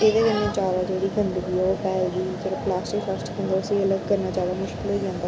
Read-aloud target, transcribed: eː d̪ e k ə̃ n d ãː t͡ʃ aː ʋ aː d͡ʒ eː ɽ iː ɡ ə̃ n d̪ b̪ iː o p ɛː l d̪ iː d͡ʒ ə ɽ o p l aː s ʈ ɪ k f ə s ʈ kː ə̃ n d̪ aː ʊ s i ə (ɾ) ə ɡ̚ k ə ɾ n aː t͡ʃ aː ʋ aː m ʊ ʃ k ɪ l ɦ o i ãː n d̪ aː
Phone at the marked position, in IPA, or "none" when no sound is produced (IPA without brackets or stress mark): l